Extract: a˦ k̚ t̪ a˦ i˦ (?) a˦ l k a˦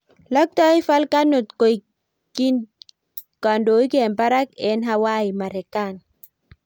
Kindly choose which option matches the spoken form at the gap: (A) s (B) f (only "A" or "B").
B